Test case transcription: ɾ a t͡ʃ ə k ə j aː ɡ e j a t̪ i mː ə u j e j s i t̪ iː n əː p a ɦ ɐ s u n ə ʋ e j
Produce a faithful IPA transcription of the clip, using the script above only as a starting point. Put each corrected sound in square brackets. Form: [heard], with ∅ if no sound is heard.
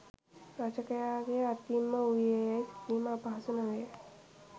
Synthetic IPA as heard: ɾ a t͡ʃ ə k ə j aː ɡ e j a t̪ i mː ə u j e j s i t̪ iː [m] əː p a ɦ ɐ s u n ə ʋ e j